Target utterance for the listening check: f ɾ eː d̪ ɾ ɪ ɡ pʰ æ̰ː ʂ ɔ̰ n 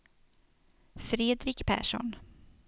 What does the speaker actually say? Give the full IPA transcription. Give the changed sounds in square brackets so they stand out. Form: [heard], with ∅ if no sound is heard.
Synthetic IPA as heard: f ɾ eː d̪ ɾ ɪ [k] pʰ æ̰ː ʂ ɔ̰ n